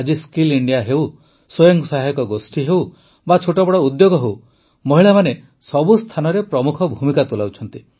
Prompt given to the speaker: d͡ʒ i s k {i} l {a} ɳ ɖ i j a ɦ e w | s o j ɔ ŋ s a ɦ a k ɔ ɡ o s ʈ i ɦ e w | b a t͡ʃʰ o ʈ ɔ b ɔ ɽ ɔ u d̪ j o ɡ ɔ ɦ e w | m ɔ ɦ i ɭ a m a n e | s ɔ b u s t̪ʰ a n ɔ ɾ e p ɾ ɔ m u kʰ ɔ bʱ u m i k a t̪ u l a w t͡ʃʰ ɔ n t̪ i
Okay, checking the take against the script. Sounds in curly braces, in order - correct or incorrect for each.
correct, incorrect: i

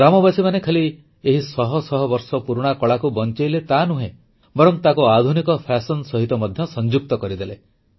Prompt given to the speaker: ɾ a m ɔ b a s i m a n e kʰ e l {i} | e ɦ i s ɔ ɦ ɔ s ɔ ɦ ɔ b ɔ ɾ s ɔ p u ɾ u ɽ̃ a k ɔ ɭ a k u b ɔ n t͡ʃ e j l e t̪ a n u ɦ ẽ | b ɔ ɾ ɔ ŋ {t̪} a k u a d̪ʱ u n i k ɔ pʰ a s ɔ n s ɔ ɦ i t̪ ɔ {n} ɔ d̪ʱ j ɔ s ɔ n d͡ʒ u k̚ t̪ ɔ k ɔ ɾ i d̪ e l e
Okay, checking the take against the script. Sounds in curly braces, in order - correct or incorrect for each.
correct, correct, incorrect: m

